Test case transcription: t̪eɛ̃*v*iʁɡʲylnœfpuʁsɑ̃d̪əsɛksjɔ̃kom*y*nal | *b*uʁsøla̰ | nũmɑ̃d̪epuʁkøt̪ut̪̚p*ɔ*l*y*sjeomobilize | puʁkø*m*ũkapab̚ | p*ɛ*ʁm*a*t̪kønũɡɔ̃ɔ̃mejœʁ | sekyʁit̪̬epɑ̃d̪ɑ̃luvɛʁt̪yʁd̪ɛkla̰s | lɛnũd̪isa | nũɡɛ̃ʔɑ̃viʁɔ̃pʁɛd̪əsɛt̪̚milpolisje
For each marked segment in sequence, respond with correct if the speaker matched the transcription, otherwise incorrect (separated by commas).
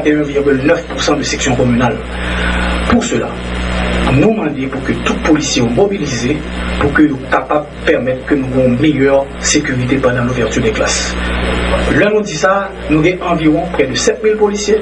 correct, correct, incorrect, incorrect, incorrect, incorrect, correct, incorrect